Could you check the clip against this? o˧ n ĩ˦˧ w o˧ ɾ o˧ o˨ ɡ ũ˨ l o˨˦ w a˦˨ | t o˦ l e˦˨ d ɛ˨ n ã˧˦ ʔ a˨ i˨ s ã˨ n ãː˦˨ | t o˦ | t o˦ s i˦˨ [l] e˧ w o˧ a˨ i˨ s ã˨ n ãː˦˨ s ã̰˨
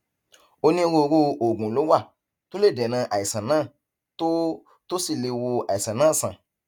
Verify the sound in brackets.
correct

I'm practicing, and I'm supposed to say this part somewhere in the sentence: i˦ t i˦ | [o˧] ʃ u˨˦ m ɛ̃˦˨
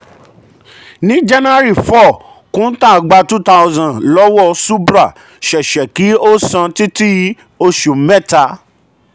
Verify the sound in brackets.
correct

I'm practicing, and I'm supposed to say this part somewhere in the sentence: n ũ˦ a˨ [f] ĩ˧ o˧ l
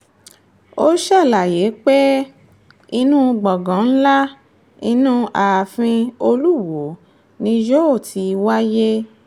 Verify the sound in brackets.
correct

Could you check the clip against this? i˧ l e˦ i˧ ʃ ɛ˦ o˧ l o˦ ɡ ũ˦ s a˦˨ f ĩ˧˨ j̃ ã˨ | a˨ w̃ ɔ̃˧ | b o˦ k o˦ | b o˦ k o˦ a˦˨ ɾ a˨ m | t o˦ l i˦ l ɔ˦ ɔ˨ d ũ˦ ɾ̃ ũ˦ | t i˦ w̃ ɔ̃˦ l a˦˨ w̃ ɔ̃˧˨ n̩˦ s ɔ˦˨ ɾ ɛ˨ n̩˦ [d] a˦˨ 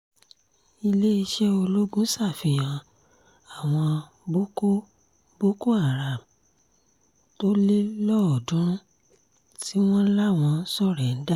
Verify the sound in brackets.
correct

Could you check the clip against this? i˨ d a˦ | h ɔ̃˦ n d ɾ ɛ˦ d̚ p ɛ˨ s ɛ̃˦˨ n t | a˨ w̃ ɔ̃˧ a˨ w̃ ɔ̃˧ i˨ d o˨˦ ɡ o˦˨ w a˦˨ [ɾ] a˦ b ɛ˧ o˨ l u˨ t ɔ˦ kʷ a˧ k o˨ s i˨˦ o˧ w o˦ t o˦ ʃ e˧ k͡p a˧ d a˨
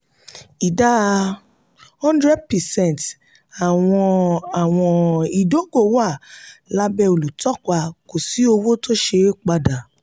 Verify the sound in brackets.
incorrect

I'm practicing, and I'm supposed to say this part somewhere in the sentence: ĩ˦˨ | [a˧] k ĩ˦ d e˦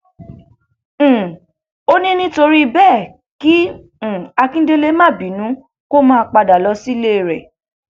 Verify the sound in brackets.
correct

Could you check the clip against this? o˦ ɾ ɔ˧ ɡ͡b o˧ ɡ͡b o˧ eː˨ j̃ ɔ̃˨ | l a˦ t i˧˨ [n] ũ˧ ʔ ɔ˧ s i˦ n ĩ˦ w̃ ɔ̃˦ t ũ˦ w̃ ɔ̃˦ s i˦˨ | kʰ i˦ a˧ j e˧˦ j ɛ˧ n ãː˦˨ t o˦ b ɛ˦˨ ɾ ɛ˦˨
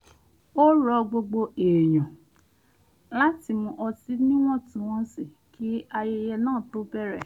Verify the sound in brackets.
incorrect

